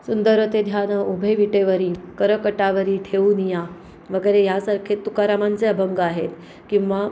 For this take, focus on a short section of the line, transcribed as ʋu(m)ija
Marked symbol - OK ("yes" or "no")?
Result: no